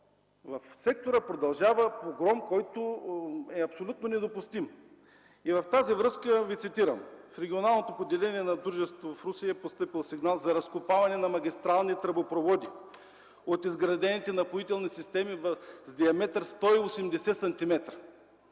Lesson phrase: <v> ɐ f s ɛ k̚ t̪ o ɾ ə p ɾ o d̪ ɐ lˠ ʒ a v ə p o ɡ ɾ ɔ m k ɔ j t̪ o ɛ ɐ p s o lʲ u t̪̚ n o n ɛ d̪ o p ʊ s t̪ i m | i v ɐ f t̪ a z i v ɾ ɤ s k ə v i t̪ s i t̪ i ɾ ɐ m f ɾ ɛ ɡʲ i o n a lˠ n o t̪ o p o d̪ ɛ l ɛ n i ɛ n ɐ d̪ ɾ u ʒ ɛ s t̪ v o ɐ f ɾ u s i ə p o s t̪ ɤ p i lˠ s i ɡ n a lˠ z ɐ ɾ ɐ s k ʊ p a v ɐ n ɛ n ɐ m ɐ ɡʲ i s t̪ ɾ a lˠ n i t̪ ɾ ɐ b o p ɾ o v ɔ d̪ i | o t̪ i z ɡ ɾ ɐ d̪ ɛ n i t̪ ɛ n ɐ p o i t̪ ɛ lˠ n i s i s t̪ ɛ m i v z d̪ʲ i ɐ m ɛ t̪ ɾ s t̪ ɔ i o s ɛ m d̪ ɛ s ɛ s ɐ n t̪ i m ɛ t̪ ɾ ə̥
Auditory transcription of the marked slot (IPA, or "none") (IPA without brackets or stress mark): v